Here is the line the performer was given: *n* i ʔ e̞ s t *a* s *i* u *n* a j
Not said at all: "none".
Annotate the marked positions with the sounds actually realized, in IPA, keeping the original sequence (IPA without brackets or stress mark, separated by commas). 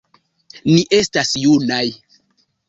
n, a, j, n